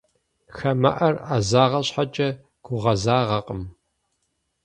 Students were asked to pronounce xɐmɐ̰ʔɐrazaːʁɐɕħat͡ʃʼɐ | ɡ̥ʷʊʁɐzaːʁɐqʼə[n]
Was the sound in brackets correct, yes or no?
no